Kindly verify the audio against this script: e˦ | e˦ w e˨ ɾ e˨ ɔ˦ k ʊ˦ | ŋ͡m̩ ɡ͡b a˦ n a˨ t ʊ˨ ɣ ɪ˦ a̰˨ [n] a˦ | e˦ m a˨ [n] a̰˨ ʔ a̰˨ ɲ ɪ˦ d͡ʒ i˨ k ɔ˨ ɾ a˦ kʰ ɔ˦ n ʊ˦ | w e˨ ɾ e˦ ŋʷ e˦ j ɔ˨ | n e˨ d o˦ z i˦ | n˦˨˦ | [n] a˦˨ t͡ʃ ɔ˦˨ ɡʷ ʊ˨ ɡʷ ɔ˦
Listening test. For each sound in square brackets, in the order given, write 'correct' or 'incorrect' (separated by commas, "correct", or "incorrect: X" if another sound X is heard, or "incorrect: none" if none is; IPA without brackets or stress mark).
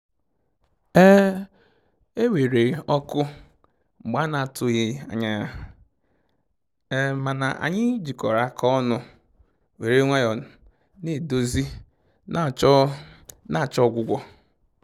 incorrect: ɲ, correct, correct